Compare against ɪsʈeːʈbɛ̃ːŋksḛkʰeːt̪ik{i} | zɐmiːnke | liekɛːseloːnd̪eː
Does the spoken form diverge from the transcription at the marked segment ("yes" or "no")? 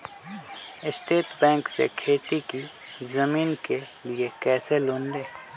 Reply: no